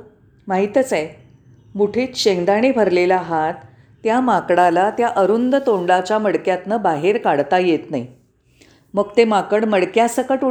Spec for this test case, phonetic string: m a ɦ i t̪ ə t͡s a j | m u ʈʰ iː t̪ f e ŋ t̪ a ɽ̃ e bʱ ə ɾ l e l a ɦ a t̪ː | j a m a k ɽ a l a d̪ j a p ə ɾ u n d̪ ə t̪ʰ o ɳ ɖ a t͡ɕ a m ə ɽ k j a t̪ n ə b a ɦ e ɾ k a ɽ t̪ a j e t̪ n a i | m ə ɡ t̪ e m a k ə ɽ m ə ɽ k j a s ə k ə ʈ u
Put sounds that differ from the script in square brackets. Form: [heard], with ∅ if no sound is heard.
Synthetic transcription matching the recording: m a ɦ i t̪ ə t͡s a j | m u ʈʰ iː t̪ [ɕ] e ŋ [d̪] a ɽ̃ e bʱ ə ɾ l e l a ɦ a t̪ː | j a m a k ɽ a l a [t̪] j a [ʔ] ə ɾ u n d̪ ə [t̪] o ɳ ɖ a t͡ɕ a m ə ɽ k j a t̪ n ə b a ɦ e ɾ k a ɽ t̪ a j e t̪ n a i | m ə ɡ t̪ e m a k ə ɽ m ə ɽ k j a s ə k ə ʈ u